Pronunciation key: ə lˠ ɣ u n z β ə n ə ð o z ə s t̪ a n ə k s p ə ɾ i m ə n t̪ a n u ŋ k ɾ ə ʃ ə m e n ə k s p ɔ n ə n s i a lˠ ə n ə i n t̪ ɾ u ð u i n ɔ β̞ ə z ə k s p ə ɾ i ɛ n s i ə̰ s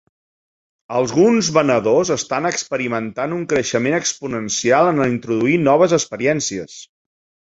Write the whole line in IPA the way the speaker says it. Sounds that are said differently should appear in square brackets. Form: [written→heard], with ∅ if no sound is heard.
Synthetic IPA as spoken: ə lˠ ɣ u n z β ə n ə ð o z ə s t̪ a n ə k s p ə ɾ i m ə n t̪ a n u ŋ k ɾ ə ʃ ə m e n ə k s p [ɔ→u] n ə n s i a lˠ ə n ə i n t̪ ɾ u ð u i n ɔ β̞ ə z ə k s p ə ɾ i ɛ n s i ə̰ s